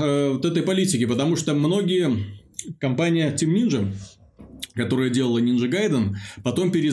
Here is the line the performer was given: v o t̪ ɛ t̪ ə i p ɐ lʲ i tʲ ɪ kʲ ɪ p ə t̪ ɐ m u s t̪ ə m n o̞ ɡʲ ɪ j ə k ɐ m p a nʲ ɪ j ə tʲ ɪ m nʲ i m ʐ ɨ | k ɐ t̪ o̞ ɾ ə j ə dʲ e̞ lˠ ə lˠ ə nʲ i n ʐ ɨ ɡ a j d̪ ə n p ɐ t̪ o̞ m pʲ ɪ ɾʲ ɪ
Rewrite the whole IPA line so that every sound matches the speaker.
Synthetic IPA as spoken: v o t̪ ɛ t̪ ə j p ɐ lʲ i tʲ ɪ kʲ ɪ p ə t̪ ɐ m u ʂ t̪ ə m n o̞ ɡʲ ɪ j ə k ɐ m p a nʲ ɪ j ə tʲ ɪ m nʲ i n ʐ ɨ | k ɐ t̪ o̞ ɾ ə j ə dʲ e̞ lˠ ə lˠ ə nʲ i n ʐ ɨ ɡ a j d̪ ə n p ɐ t̪ o̞ m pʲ ɪ ɾʲ ɪ